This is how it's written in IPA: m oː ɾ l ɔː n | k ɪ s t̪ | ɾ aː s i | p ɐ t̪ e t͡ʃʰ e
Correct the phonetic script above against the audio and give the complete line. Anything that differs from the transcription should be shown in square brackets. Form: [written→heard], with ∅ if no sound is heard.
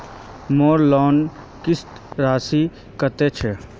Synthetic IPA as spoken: m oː ɾ l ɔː n | k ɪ s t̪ | ɾ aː s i | [p→k] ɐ t̪ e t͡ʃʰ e